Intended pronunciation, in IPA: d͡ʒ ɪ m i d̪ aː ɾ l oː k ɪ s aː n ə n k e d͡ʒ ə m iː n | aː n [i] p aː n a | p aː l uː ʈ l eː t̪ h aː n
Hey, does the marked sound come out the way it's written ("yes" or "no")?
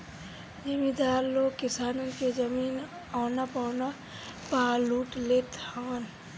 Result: no